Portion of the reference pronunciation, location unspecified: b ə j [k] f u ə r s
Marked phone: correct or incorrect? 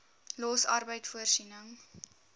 incorrect